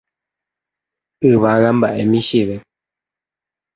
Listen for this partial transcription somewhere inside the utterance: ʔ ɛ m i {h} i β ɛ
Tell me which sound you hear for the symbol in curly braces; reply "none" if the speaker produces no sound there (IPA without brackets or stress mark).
ʃ